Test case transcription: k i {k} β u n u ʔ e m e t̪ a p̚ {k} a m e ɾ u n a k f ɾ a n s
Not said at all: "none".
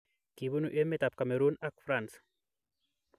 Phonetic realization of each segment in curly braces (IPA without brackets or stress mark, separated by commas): none, k